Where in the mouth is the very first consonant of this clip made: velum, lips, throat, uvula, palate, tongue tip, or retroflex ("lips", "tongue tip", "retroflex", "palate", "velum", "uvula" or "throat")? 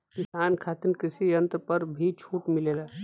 velum